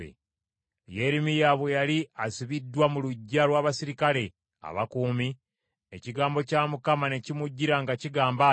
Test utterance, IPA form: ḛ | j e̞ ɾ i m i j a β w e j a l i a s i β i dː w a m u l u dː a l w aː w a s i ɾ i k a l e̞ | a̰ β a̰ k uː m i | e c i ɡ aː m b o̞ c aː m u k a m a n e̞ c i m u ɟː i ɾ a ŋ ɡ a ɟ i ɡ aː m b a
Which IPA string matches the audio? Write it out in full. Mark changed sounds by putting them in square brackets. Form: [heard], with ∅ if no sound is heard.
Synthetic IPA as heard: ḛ | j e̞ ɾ i m i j a β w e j a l i a s i β i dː w a m u l u [ɟː] a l w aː [β] a s i ɾ i k a l e̞ | a̰ β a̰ k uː m i | e c i ɡ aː m b o̞ c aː m u k a m a n e̞ c i m u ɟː i ɾ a ŋ ɡ a [c] i ɡ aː m b a